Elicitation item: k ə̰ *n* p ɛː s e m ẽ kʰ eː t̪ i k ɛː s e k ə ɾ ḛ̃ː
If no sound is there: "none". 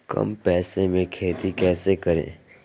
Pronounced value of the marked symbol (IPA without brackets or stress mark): m